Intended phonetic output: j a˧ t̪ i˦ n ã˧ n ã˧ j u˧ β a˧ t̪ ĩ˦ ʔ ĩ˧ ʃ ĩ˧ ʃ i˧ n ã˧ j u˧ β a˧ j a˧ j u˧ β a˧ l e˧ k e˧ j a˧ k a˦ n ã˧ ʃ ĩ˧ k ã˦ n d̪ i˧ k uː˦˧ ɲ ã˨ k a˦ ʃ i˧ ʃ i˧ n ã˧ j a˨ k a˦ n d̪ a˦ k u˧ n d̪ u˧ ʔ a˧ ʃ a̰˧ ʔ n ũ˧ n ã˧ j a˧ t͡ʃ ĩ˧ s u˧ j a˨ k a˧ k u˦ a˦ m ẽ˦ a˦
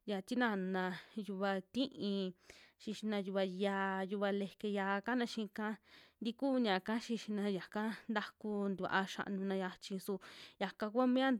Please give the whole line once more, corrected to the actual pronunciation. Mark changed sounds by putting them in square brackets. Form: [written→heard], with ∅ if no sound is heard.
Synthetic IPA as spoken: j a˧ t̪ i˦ n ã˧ n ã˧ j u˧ β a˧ t̪ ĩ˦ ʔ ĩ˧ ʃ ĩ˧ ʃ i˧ n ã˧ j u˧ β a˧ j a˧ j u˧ β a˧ l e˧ k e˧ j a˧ k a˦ n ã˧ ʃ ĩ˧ k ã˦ n d̪ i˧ k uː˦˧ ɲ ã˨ k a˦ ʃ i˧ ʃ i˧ n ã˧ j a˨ k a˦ n d̪ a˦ k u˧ n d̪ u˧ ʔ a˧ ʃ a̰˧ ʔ n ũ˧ n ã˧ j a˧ t͡ʃ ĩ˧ s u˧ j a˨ k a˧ k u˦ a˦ m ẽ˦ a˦